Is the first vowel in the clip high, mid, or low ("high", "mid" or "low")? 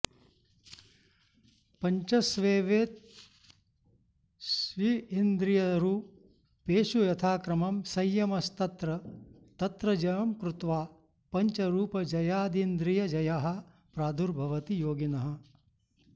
low